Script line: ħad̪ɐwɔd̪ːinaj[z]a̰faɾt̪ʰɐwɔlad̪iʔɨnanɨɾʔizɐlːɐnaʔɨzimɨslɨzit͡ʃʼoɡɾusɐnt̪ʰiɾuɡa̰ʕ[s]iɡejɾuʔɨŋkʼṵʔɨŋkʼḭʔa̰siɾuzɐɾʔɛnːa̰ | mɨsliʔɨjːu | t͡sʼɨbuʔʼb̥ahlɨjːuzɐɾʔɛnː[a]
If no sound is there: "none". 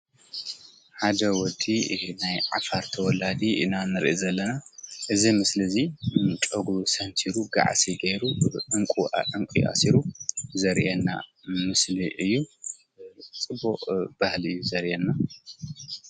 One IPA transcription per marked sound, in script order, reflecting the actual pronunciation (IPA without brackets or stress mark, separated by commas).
ʕ, s, a